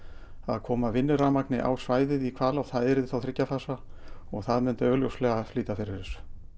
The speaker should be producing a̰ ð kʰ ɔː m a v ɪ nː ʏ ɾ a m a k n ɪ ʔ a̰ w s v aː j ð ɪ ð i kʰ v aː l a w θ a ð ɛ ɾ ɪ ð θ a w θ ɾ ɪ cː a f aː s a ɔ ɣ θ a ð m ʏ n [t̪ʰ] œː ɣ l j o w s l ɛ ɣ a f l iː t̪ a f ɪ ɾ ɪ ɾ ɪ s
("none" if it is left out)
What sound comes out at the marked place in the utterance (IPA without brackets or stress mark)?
t̪